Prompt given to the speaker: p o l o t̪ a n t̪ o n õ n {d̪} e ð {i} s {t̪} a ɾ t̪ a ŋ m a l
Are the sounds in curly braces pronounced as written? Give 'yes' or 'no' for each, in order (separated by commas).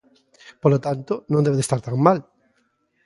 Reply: yes, no, yes